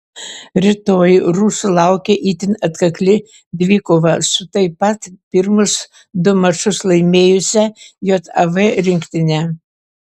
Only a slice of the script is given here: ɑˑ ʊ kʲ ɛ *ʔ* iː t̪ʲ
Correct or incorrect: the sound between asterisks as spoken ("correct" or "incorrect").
correct